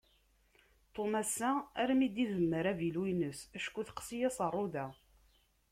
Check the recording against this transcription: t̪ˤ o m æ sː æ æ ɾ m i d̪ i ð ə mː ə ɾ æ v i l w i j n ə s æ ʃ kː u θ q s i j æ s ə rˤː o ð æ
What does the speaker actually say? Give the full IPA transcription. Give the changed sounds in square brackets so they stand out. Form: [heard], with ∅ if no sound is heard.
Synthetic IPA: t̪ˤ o m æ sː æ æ ɾ m i d̪ i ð ə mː ə ɾ æ v i l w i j n ə s æ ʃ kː u θ q s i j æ s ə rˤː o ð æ